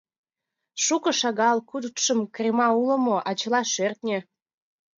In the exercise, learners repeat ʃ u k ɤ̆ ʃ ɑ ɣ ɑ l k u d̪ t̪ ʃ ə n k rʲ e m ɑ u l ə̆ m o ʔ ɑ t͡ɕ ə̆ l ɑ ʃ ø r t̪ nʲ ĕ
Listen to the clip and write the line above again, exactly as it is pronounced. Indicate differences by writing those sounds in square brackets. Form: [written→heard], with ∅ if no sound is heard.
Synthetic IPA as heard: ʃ u k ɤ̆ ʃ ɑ ɣ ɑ l k u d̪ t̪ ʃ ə [n→m] k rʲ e m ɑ u l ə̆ m o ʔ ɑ t͡ɕ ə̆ l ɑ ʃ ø r t̪ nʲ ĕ